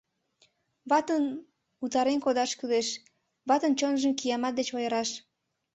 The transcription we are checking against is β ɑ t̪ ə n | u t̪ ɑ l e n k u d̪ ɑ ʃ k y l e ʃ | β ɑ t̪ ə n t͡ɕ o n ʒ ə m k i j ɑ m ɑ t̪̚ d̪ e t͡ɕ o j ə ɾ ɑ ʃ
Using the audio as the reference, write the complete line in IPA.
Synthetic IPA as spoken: β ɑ t̪ ə n | u t̪ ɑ ɾ e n k o d̪ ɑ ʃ k y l e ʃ | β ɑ t̪ ə n t͡ɕ o n ʒ ə m k i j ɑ m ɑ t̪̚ d̪ e t͡ɕ o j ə ɾ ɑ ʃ

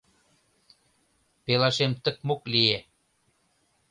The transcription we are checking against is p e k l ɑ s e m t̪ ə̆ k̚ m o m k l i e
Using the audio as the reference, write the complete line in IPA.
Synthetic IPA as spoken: p e l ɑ ʃ e m t̪ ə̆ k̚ m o k l i e

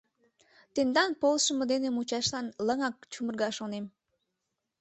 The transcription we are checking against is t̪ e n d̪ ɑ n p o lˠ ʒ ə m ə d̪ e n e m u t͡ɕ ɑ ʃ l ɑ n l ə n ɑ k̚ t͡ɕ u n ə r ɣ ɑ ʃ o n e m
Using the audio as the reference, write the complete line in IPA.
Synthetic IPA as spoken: t̪ e n d̪ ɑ n p o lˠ ʃ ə m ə d̪ e n e m u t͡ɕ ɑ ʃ l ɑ n l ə ŋ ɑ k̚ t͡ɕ u m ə r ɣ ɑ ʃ o n e m

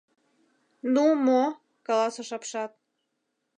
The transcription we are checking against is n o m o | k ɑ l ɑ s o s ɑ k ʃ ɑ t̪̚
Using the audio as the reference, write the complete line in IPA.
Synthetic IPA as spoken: n u m o | k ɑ l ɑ s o ʃ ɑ p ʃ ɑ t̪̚

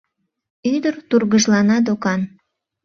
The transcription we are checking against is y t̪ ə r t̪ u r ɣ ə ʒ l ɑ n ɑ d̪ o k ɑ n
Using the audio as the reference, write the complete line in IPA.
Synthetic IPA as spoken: y d̪ ə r t̪ u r ɣ ə ʒ l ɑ n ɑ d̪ o k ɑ n

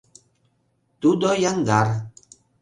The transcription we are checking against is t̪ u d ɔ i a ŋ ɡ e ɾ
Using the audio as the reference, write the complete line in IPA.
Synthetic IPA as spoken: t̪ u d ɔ j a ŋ ɡ a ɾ

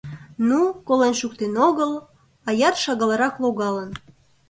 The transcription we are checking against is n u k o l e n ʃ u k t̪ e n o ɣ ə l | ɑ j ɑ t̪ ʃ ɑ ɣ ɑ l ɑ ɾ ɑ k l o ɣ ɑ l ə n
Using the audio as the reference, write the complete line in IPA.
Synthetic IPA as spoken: n u k o l e n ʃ u k t̪ e n o ɣ ə l | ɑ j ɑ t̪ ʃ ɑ ɣ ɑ l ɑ ɾ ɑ k l o ɣ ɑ l ə n

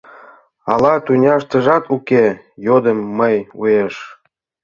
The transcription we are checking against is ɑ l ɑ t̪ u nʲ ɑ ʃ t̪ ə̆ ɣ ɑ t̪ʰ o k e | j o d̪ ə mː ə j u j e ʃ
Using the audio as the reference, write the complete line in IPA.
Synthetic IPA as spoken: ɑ l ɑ t̪ u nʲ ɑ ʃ t̪ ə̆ ʒ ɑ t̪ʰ u k e | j o d̪ ə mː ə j u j e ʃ

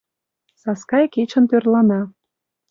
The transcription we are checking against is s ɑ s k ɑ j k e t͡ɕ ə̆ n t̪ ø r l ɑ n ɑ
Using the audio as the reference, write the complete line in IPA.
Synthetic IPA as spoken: s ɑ s k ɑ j k e t͡ɕ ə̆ n t̪ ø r l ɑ n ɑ

